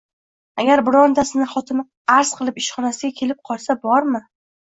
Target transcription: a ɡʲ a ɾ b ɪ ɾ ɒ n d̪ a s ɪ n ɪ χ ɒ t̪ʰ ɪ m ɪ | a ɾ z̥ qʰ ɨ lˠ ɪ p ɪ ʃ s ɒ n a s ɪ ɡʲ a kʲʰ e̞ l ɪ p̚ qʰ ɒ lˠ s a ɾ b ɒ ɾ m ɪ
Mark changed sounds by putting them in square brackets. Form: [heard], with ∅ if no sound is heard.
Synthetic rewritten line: a ɡʲ a ɾ b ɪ ɾ ɒ n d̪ a s ɪ n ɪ χ ɒ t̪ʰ ɪ m ɪ | a ɾ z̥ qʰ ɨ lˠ ɪ p ɪ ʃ [χ] ɒ n a s ɪ ɡʲ a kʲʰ e̞ l ɪ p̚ qʰ ɒ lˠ s a [∅] b ɒ ɾ m ɪ